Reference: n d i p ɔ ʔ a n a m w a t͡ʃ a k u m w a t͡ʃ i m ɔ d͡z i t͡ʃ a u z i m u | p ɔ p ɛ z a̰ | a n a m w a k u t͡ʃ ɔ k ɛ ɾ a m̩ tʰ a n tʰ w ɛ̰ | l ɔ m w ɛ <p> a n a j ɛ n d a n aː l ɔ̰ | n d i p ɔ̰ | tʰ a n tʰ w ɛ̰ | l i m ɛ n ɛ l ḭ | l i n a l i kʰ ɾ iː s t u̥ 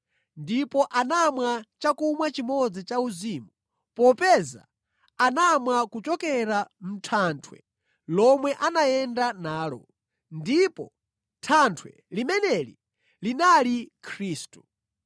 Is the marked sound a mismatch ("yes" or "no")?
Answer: yes